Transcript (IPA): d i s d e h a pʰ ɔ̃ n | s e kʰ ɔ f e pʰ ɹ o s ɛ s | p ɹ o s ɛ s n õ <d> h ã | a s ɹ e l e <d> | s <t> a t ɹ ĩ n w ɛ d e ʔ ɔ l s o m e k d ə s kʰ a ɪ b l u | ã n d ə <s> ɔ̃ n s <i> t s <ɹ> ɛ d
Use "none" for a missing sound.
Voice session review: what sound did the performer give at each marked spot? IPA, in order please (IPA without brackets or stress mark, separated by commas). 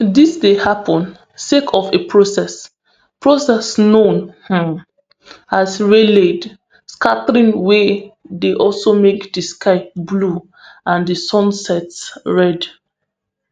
n, d, k, s, ɛ, ɹ